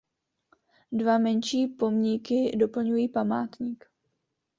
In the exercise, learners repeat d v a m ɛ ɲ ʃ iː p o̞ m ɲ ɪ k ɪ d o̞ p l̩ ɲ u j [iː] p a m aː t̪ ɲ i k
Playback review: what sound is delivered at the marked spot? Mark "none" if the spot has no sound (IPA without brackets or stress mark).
iː